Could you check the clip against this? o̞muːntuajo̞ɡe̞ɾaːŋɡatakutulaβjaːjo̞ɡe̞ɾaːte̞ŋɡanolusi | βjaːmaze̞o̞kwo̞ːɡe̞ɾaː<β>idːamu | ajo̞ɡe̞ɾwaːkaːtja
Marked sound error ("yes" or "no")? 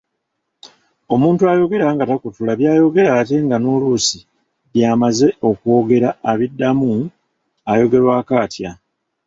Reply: no